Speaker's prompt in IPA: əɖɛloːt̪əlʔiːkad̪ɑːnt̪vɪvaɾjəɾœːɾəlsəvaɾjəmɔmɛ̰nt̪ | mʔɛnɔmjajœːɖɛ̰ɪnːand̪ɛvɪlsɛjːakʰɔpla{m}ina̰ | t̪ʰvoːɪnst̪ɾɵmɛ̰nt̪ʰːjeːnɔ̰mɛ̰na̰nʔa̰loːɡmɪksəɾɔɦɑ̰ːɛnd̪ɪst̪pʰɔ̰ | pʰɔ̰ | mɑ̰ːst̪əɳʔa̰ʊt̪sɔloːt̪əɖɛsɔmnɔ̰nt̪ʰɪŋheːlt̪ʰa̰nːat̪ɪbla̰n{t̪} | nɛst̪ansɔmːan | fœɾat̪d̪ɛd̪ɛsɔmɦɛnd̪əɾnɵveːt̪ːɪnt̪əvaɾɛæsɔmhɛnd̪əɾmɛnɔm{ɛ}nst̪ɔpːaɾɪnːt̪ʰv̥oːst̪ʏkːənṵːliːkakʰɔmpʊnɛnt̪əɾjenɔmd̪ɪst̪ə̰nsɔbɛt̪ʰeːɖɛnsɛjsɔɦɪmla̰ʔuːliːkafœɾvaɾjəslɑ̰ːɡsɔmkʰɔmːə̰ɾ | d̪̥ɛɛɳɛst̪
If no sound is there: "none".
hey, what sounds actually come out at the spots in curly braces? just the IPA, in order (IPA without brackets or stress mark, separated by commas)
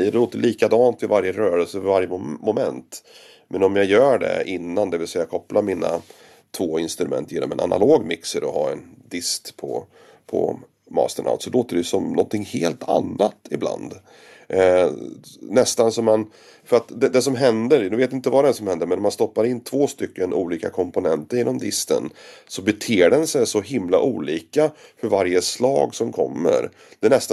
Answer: m, d̪, a